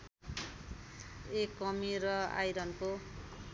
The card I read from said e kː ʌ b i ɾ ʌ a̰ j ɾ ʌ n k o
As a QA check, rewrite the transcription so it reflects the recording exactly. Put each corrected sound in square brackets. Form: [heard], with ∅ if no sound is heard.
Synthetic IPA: e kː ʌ [m] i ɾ ʌ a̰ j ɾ ʌ n k o